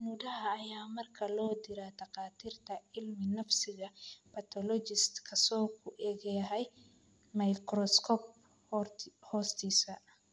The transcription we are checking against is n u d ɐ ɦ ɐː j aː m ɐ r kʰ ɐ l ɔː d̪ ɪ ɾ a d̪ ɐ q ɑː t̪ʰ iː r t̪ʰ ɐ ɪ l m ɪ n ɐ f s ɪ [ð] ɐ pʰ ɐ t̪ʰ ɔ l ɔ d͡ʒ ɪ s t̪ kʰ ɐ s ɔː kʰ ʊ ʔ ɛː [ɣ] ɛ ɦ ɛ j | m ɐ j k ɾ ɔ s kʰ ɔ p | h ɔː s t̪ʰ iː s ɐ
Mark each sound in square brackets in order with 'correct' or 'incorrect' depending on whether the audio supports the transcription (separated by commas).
incorrect, correct